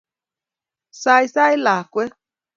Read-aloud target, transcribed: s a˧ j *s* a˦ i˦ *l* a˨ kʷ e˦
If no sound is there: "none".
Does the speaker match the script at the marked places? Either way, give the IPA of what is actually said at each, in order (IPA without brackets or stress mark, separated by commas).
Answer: s, l